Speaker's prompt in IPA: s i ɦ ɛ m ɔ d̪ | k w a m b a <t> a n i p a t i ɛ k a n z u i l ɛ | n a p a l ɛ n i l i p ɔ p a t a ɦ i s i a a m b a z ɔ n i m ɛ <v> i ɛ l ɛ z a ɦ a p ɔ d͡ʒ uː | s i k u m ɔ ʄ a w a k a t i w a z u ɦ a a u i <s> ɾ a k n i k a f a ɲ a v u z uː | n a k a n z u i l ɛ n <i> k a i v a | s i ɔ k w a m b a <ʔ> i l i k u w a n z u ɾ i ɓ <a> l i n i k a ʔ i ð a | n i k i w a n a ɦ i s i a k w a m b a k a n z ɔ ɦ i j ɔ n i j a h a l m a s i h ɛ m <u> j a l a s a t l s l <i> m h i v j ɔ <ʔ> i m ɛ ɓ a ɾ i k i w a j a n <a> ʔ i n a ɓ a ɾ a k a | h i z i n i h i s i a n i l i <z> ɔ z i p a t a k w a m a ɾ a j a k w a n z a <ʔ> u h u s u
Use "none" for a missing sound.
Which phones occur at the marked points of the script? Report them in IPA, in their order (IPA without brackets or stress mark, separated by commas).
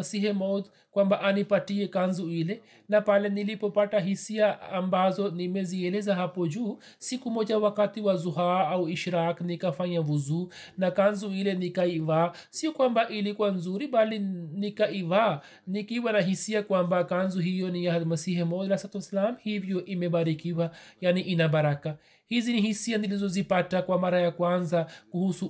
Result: ʔ, z, ʃ, i, ʔ, a, ɔ, a, ʔ, i, z, k